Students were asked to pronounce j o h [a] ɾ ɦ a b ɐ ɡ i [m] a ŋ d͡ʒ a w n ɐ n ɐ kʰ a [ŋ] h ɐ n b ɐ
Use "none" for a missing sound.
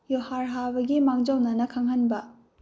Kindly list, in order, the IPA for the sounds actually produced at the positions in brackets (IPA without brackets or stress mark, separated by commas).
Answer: a, m, ŋ